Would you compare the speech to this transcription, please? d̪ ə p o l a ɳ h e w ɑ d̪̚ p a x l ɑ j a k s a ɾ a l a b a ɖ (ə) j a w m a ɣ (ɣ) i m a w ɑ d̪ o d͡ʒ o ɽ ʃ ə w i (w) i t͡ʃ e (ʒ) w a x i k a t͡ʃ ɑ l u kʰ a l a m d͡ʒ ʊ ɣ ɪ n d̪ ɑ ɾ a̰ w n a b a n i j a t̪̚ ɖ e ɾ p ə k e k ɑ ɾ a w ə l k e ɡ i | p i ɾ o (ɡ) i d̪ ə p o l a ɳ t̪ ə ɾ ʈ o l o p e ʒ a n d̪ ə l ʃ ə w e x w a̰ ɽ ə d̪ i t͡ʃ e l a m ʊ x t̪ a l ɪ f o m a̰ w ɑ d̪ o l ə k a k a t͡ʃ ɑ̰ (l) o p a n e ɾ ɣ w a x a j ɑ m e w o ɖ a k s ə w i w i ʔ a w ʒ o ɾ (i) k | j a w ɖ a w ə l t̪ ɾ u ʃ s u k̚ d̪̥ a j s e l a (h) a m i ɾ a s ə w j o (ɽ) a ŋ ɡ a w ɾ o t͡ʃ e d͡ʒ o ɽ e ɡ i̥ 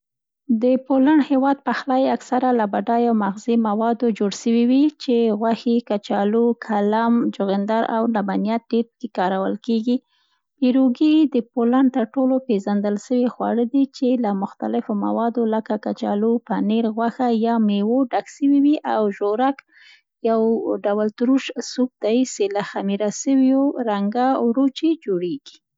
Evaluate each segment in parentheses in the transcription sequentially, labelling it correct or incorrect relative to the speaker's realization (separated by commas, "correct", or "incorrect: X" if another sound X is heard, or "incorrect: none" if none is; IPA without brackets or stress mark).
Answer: incorrect: ɑ, incorrect: z, correct, incorrect: ɣ, correct, correct, incorrect: a, incorrect: x, incorrect: ɾ